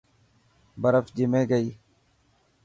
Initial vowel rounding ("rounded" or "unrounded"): unrounded